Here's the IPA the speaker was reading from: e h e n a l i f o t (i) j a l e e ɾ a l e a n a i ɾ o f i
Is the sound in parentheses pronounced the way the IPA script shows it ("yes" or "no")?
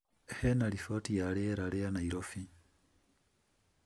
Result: yes